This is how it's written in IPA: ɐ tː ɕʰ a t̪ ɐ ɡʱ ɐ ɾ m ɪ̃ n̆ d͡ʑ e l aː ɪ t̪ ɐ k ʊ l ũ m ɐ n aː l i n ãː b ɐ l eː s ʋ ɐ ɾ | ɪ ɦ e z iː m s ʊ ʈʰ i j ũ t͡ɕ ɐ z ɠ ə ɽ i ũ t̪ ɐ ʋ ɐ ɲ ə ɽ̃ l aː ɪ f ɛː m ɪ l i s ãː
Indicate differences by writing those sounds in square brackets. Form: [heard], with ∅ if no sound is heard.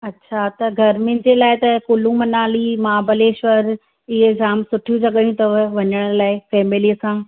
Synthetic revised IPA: ɐ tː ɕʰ a t̪ ɐ ɡʱ ɐ ɾ m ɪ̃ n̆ d͡ʑ e l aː ɪ t̪ ɐ k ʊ l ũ m ɐ n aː l i [m] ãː b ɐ l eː [ʃ] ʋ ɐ ɾ | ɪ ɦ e z [aː] m s ʊ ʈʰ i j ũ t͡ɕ ɐ [∅] ɠ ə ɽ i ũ t̪ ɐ ʋ ɐ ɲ ə ɽ̃ l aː ɪ f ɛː m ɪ l i s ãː